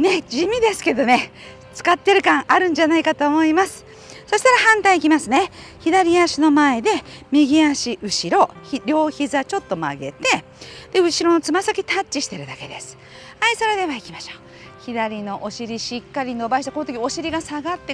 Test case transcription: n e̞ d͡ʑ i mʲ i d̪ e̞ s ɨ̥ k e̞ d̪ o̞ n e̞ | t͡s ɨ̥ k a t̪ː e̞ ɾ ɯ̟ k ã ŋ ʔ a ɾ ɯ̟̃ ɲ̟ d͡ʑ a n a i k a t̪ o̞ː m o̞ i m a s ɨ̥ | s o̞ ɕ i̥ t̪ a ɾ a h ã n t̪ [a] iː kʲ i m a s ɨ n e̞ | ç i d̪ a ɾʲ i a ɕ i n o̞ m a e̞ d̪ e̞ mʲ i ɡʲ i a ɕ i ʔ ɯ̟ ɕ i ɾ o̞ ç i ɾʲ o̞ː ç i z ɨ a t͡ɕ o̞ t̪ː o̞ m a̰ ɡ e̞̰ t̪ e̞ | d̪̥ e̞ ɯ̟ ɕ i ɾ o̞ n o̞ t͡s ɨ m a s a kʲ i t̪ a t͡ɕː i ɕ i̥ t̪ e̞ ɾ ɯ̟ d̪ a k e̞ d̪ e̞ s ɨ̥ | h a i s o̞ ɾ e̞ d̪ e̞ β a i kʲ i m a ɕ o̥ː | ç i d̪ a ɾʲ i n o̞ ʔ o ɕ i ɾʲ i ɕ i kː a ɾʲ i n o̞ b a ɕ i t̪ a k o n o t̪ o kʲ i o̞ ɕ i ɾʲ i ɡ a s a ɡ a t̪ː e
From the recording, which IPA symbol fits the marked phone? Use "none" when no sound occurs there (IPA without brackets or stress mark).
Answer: a